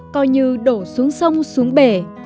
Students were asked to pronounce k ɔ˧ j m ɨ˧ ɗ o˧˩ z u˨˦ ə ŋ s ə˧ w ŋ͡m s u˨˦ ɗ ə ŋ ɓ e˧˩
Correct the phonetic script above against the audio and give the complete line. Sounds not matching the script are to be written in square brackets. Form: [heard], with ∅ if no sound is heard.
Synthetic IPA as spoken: k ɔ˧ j [ɲ] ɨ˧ ɗ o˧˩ [s] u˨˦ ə ŋ s ə˧ w ŋ͡m s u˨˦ [∅] ə ŋ ɓ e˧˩